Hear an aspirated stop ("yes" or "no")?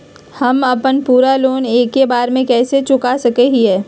no